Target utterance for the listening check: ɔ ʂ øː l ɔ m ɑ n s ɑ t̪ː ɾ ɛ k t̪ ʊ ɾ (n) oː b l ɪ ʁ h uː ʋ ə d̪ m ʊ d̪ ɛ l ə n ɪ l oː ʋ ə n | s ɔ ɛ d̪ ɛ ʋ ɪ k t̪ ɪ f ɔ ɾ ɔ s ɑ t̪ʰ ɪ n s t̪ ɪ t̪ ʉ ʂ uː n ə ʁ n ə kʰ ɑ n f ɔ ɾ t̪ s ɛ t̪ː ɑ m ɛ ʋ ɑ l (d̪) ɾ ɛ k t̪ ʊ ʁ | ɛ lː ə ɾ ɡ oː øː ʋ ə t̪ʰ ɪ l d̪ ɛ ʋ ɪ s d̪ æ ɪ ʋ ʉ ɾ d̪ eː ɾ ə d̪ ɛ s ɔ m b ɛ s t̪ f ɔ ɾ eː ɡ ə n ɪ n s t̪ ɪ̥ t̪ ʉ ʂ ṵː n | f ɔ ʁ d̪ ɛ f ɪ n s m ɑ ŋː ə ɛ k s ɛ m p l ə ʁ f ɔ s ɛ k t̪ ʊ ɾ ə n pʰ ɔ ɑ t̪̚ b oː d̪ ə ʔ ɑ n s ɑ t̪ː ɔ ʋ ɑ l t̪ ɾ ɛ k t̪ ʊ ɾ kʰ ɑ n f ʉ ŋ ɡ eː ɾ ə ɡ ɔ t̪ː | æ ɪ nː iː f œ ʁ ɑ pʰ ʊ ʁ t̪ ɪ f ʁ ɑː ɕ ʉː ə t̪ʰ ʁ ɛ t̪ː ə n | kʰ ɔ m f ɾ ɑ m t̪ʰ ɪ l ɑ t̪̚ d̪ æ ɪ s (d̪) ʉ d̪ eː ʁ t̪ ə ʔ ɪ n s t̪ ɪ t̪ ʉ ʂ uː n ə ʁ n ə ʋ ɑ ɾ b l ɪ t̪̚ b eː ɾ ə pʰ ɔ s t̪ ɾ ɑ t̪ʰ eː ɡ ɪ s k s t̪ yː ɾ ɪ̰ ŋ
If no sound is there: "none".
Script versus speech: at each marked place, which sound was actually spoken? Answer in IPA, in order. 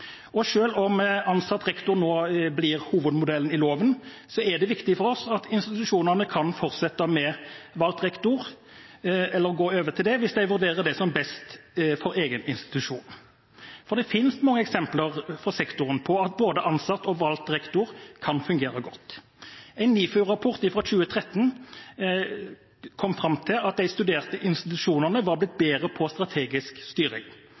n, t̪, t̪

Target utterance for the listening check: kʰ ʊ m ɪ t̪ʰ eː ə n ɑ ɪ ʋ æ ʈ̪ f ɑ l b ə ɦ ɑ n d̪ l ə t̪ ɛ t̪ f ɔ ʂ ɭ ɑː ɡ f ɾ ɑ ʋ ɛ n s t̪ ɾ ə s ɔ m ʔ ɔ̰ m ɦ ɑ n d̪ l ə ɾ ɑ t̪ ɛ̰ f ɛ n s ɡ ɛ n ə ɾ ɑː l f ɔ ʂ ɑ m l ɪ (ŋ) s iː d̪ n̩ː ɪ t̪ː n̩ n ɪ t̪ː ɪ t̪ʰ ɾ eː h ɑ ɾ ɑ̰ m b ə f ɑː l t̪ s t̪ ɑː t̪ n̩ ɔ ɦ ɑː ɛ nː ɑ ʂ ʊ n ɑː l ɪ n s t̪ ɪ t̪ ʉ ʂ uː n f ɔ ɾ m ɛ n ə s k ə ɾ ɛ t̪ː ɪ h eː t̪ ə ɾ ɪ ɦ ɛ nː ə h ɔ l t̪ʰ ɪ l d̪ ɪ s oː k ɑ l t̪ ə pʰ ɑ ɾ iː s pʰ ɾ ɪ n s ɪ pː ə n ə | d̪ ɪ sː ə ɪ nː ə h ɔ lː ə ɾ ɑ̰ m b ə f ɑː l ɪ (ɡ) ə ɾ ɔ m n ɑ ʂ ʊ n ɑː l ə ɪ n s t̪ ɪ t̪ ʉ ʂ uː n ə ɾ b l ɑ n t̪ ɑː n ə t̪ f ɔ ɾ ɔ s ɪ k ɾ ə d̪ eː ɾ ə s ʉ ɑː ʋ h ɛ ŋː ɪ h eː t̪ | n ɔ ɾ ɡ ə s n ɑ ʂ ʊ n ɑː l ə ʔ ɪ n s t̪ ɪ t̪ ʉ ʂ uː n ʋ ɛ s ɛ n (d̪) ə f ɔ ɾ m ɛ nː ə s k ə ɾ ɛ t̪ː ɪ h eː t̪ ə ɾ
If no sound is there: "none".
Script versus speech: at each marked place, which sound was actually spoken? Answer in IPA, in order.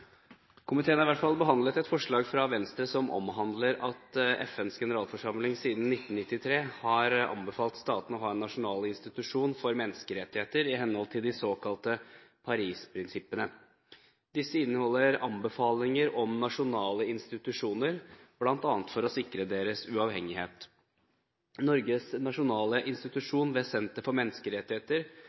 ŋ, ŋ, t̪

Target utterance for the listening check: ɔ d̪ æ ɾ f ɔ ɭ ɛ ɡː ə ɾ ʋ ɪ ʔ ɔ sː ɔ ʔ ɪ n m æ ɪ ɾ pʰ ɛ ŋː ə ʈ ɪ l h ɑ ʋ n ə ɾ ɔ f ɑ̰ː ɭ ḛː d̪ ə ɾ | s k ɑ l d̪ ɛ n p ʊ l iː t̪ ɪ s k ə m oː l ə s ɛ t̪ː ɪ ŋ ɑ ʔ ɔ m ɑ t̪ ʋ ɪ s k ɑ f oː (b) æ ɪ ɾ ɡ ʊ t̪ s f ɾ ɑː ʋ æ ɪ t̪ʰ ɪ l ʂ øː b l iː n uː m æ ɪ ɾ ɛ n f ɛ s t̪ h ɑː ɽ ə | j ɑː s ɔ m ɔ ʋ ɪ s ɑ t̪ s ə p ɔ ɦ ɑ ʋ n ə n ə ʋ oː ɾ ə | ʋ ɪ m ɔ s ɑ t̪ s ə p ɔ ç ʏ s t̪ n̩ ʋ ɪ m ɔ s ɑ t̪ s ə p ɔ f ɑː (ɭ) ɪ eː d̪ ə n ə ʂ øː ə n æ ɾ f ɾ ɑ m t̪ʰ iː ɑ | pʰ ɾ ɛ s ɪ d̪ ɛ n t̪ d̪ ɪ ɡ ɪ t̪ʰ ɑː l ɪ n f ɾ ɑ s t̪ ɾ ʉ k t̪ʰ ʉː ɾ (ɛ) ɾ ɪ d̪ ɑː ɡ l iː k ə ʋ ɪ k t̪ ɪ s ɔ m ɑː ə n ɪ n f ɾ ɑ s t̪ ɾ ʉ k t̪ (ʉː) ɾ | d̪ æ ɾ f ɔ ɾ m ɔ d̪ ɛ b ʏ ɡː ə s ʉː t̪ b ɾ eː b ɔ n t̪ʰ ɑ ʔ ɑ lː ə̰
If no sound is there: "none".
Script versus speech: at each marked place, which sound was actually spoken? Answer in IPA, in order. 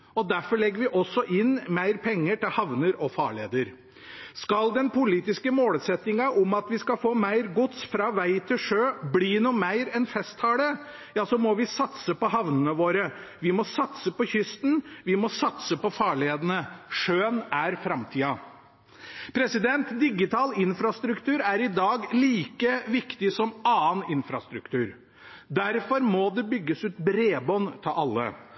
m, ɭ, æ, ʉː

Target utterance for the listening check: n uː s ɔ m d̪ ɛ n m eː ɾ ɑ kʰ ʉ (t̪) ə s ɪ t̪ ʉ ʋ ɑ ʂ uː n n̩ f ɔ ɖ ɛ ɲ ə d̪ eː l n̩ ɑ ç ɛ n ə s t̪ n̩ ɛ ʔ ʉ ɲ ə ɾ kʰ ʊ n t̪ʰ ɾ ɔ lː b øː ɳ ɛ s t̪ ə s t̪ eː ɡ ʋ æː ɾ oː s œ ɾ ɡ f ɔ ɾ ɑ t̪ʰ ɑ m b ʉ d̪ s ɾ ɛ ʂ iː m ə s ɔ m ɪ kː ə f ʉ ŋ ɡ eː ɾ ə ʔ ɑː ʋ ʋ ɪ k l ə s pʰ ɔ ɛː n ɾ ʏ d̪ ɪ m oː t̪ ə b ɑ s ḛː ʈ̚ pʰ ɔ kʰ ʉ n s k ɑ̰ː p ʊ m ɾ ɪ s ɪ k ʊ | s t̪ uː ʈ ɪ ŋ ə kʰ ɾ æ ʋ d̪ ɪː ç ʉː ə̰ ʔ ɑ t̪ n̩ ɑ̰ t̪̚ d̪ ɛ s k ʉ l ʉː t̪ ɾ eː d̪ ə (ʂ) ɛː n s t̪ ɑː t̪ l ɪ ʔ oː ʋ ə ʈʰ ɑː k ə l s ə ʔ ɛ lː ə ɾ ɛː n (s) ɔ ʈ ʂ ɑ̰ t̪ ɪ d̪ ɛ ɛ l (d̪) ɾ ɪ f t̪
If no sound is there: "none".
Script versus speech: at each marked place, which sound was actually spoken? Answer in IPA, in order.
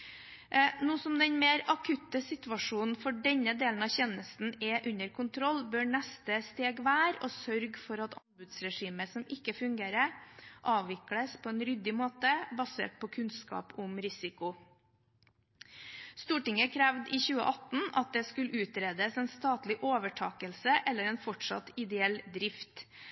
t̪, s, f, d̪

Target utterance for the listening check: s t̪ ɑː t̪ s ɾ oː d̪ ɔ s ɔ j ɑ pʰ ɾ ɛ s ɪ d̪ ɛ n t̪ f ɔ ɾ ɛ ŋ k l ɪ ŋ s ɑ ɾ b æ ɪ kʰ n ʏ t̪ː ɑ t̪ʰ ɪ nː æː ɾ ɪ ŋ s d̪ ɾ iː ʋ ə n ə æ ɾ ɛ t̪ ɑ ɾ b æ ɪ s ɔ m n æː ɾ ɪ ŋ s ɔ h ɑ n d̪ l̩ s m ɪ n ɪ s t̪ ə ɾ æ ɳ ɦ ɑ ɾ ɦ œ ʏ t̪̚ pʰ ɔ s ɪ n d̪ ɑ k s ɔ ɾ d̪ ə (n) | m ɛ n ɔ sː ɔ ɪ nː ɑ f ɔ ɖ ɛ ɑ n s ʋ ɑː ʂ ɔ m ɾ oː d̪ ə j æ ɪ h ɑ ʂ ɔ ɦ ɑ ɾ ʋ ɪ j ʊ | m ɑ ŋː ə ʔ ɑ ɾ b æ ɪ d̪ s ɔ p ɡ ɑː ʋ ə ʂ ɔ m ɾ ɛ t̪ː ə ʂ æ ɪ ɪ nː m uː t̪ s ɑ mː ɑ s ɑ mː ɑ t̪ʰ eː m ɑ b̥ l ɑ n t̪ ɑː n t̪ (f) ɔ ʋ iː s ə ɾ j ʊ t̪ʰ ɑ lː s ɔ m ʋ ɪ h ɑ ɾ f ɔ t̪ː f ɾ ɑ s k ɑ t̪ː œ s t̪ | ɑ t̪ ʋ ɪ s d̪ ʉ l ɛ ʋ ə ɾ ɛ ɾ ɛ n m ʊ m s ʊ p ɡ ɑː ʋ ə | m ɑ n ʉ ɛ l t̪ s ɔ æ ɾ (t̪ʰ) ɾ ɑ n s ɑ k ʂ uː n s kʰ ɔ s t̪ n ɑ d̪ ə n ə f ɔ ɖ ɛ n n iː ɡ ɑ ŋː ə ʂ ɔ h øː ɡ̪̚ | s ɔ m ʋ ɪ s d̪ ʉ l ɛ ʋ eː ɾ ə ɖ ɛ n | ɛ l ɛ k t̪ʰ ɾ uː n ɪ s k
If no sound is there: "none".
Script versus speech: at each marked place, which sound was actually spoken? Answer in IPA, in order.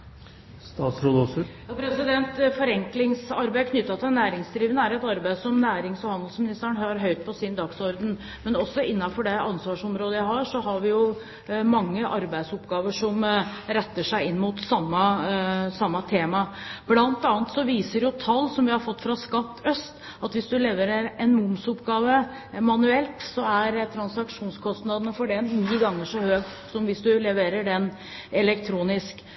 n, s, t̪ʰ

